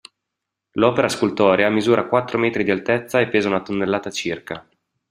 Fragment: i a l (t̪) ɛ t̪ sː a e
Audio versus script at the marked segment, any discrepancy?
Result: no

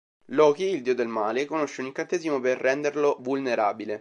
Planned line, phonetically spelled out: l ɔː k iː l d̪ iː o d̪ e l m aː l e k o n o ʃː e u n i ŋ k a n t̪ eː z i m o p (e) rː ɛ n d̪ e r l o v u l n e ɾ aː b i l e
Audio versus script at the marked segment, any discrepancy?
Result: no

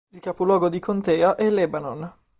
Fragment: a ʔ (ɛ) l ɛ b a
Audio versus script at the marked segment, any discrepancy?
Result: no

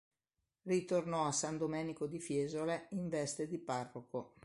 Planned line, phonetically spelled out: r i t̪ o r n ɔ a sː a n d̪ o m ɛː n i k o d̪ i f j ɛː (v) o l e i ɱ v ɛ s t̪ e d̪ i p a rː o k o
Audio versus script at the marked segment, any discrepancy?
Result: yes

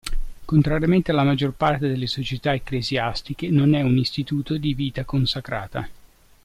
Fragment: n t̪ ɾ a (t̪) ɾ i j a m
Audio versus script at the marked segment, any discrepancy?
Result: yes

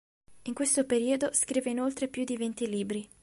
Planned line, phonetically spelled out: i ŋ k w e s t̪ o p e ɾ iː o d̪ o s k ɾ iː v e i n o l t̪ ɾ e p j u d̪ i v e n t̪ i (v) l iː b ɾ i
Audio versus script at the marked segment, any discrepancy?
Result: yes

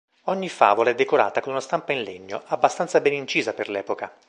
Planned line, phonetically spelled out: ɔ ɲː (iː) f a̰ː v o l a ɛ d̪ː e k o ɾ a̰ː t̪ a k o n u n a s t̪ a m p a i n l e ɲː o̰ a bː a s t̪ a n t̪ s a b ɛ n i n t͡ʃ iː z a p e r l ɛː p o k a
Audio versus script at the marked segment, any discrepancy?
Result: yes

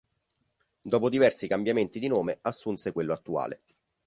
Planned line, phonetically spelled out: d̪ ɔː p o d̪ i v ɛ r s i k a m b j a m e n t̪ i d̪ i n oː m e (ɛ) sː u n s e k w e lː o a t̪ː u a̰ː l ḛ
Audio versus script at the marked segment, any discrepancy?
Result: yes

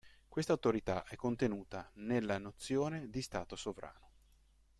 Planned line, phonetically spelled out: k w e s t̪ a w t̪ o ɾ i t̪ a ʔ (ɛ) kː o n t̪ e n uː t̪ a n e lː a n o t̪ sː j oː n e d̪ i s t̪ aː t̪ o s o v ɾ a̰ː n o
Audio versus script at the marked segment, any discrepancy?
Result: no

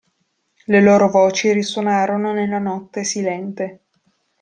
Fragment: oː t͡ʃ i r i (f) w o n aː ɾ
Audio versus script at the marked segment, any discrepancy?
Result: yes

